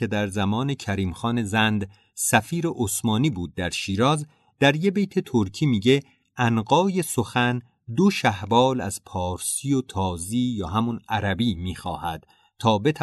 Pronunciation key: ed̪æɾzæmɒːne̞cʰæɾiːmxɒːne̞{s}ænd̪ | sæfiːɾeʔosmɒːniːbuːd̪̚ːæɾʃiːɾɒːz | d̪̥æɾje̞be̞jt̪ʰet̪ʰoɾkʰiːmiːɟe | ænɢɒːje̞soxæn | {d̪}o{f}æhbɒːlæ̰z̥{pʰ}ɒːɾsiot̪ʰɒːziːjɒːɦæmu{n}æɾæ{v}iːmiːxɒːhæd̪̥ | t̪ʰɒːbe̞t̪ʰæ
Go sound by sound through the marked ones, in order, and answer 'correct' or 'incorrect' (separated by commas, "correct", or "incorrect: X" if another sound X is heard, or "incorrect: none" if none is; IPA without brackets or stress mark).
incorrect: z, correct, incorrect: ʃ, correct, correct, incorrect: b